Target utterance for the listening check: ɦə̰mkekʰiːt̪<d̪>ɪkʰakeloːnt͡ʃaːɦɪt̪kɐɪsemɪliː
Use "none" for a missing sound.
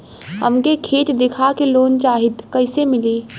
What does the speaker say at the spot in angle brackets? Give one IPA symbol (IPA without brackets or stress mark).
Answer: d̪